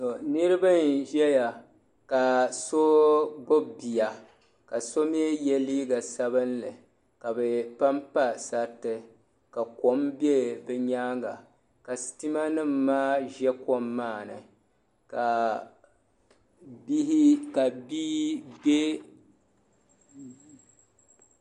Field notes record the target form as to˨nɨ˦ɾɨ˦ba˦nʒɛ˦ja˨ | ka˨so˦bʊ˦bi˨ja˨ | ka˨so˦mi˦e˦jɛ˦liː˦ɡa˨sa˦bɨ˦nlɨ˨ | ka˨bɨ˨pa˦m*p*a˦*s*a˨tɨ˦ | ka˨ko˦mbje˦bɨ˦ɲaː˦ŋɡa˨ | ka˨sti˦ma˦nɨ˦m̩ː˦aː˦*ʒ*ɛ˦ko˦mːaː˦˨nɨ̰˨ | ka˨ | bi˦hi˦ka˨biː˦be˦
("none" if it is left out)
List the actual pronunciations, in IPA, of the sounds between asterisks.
p, s, ʒ

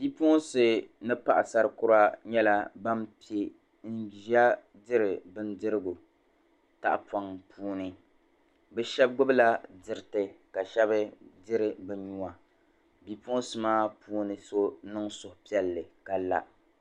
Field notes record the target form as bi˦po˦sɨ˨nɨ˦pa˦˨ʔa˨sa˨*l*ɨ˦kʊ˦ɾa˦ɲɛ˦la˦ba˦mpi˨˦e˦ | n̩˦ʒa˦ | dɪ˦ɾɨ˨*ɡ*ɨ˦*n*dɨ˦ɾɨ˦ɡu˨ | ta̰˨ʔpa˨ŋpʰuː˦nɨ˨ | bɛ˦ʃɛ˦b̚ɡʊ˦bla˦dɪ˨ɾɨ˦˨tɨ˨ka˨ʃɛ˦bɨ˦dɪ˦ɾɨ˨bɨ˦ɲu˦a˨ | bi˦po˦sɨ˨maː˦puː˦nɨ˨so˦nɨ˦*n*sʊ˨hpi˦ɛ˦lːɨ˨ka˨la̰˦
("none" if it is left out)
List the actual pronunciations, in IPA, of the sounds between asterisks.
ɾ, b, n, ŋ

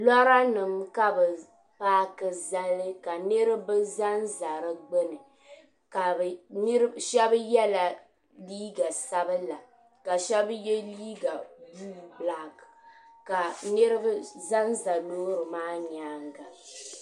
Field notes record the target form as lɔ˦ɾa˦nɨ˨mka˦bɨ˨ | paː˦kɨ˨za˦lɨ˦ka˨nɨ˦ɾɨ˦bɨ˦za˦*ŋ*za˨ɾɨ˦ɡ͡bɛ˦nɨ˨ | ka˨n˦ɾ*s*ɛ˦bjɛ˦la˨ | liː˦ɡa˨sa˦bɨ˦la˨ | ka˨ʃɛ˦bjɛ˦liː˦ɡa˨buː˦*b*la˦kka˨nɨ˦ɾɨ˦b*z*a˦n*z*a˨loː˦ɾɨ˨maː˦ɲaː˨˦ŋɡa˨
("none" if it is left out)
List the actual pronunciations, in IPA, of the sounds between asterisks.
n, ʃ, b, z, z

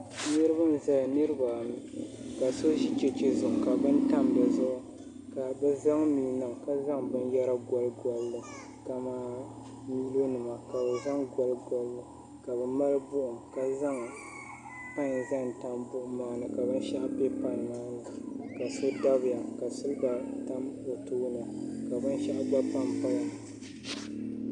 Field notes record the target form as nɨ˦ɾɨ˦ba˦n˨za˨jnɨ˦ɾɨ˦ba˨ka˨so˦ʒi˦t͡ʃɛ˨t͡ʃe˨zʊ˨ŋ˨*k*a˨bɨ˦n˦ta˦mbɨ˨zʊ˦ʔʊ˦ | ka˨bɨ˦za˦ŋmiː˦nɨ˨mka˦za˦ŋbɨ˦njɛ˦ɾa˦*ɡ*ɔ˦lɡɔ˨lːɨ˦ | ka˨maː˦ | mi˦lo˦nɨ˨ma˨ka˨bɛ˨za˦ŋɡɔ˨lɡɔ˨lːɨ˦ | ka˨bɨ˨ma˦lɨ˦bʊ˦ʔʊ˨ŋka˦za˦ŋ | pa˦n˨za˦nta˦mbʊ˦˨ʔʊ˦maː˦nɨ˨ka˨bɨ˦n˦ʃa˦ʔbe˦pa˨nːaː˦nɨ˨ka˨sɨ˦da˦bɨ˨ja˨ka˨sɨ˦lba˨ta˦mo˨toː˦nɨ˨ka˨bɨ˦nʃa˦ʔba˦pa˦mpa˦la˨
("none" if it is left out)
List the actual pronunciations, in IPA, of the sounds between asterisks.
k, ɡ

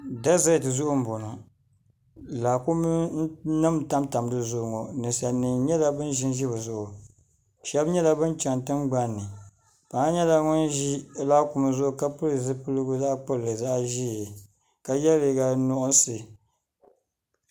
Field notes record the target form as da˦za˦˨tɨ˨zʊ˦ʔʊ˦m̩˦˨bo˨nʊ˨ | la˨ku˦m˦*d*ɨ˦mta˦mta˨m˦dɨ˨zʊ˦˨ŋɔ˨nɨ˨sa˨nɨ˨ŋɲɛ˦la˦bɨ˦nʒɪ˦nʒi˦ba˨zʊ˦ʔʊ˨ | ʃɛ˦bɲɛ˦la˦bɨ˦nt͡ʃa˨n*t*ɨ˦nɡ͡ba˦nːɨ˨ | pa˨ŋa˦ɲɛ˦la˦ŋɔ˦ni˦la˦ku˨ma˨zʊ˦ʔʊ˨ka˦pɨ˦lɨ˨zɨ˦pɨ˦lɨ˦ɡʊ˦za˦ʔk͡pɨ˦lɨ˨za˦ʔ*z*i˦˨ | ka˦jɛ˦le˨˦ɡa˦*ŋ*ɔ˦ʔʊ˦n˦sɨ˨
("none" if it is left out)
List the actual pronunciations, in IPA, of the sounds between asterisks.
n, t, ʒ, n

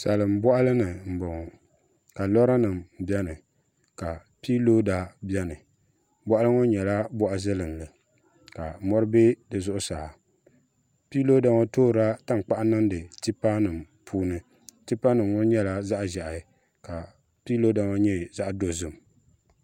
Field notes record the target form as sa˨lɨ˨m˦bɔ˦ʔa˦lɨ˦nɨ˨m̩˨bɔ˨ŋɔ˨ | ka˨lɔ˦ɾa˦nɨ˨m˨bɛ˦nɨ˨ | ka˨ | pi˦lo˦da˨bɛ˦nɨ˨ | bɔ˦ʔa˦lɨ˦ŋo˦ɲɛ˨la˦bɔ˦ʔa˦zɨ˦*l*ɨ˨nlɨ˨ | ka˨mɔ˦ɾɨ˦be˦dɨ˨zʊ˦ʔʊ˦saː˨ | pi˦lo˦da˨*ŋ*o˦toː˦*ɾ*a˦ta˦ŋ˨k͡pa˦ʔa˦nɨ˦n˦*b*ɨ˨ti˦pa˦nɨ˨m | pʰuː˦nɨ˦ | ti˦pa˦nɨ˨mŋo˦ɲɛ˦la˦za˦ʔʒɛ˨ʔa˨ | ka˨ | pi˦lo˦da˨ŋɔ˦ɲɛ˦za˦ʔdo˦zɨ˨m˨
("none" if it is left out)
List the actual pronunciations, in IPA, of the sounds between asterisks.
l, ŋ, ɾ, d

